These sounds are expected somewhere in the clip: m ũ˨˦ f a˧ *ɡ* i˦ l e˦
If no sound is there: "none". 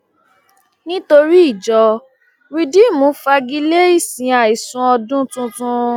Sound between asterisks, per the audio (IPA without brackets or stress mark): ɡ